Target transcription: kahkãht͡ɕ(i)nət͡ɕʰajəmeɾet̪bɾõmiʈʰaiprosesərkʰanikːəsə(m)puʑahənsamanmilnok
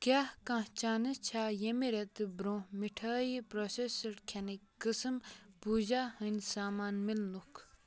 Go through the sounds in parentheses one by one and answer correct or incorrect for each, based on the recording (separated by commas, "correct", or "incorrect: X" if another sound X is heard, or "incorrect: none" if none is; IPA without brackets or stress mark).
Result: incorrect: a, correct